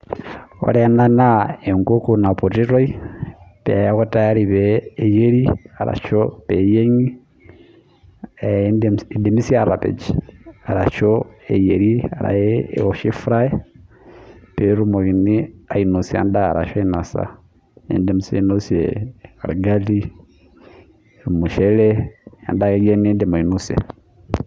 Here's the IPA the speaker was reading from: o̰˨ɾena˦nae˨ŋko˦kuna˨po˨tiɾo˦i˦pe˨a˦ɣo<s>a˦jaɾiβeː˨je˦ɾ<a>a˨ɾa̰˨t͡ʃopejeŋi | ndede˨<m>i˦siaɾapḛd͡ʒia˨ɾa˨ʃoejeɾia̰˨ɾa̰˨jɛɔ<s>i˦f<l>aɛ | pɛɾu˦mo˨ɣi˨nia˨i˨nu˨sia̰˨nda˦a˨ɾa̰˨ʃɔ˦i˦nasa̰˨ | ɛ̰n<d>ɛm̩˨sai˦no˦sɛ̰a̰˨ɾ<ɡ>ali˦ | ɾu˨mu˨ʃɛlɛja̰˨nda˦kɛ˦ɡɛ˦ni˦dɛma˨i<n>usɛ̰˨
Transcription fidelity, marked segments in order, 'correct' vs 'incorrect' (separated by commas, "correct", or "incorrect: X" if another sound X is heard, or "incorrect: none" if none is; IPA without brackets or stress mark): incorrect: t, incorrect: i, correct, incorrect: ʃ, incorrect: ɾ, correct, correct, correct